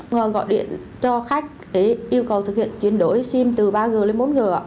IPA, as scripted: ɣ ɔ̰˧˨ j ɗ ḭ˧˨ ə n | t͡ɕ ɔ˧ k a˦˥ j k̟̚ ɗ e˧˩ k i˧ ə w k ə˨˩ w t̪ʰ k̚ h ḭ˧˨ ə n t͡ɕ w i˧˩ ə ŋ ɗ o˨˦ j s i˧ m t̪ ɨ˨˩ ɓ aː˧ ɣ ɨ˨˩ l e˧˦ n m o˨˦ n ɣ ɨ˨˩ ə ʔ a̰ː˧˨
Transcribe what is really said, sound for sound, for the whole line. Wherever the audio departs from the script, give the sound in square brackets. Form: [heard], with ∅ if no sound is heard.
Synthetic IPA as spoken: ɣ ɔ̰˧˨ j ɗ ḭ˧˨ ə n | t͡ɕ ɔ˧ [x] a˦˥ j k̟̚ ɗ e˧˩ [ʔ] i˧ ə w k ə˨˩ w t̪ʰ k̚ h ḭ˧˨ ə n t͡ɕ w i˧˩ ə [n] ɗ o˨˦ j s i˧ m t̪ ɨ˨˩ ɓ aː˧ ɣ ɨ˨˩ l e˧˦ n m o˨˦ n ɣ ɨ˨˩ ə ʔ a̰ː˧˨